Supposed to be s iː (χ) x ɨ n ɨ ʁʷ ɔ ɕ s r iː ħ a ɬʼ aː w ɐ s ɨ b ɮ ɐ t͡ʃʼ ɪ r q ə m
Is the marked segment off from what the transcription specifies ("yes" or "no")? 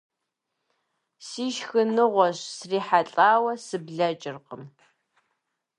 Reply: yes